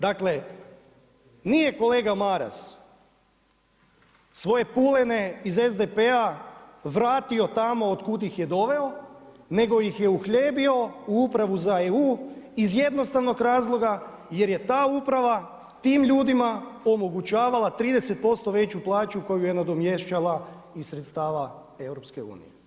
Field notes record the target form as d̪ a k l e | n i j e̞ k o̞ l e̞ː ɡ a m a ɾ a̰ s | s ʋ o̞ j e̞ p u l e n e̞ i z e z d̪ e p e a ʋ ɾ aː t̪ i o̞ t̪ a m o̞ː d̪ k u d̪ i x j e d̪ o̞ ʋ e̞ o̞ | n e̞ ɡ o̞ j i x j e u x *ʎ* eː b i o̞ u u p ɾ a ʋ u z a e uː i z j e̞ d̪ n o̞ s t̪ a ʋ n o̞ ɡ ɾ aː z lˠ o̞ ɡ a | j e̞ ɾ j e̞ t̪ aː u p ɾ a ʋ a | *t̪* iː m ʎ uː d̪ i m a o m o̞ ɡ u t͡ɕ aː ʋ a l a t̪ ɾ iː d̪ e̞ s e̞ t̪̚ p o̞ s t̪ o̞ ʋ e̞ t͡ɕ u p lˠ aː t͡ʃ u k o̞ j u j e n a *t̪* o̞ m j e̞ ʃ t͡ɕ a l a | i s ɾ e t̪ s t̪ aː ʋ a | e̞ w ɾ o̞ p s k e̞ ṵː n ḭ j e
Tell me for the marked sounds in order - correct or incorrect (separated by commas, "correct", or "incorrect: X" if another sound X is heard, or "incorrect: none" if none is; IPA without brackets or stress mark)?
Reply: correct, correct, incorrect: d̪